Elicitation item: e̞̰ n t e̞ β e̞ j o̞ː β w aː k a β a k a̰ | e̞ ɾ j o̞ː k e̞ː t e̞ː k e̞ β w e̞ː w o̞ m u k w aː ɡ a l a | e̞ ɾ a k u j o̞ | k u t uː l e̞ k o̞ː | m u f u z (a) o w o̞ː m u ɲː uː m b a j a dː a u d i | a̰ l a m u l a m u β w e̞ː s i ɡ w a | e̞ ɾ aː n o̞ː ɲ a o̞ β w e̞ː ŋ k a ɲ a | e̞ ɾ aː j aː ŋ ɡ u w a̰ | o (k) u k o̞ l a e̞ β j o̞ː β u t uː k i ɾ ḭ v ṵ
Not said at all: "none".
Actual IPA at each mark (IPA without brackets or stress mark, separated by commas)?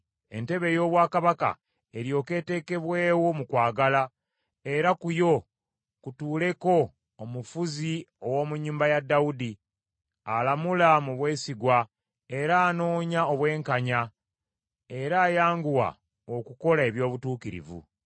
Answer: i, k